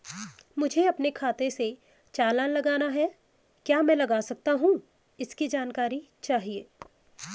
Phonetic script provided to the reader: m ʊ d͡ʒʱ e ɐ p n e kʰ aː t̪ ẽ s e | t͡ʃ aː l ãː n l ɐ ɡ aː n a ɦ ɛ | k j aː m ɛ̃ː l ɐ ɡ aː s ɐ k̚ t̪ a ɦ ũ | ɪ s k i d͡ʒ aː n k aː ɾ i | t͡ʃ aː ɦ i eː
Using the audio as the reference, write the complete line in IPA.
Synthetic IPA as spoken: m ʊ d͡ʒʱ e ɐ p n e kʰ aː t̪ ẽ s e | t͡ʃ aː l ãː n l ɐ ɡ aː n a ɦ ɛ | k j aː m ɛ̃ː l ɐ ɡ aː s ɐ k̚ t̪ a ɦ ũ | ɪ s k i d͡ʒ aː n k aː ɾ i | t͡ʃ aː ɦ i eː